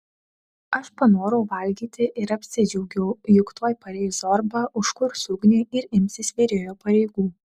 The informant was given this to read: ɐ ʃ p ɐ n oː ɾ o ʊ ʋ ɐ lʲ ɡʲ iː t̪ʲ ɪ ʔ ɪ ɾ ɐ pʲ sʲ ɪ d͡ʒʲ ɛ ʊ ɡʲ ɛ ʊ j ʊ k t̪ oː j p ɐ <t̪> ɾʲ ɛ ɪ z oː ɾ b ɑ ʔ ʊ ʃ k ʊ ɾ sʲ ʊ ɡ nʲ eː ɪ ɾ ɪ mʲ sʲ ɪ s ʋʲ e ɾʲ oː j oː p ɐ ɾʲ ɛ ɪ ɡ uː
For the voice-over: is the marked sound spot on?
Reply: no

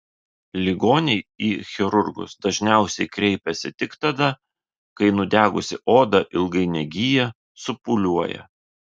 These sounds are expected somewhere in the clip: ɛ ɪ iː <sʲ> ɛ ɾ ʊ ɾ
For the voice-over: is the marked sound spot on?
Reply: no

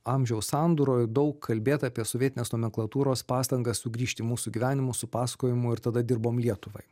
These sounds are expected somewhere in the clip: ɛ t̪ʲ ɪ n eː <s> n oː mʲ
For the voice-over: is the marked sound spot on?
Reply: yes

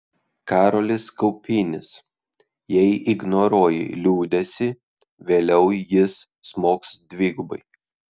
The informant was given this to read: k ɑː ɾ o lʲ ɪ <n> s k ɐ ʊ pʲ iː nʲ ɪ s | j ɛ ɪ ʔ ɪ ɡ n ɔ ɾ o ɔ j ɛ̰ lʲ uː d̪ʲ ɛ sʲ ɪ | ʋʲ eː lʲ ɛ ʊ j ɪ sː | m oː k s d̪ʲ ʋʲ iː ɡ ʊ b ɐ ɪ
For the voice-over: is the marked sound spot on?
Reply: no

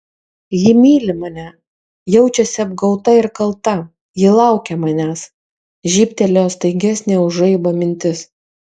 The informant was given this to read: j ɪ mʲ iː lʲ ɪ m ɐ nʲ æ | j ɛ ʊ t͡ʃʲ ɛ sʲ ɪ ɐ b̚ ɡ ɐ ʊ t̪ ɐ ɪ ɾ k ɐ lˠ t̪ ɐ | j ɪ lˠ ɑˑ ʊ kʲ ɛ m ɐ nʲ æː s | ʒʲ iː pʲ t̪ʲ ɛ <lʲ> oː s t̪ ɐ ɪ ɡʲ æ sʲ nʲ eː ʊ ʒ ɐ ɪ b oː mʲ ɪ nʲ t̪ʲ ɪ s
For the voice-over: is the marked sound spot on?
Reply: yes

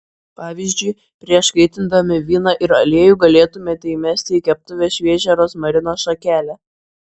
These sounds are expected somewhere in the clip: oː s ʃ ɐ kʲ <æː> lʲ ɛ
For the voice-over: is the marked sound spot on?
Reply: yes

